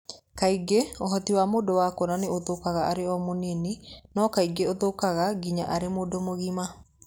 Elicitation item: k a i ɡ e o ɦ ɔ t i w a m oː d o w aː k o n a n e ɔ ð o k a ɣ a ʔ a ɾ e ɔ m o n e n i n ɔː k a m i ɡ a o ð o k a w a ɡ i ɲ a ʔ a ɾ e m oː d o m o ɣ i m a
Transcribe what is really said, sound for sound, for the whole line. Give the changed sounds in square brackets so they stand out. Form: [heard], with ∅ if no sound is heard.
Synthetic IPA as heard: k a i ɡ e o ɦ ɔ t i w a m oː d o w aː k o n a n e [o] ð o k a ɣ a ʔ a ɾ e ɔ m o n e n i n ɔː k a [∅] i ɡ [e] o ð o k a [ɣ] a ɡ i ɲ a ʔ a ɾ e m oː d o m o ɣ i m a